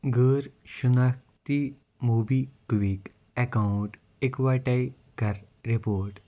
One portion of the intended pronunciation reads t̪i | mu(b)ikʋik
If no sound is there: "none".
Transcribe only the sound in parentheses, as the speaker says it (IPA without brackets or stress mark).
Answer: b